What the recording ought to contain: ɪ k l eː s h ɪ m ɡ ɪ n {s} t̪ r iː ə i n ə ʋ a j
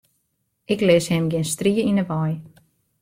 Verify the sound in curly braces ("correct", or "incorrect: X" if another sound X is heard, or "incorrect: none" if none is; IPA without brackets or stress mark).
correct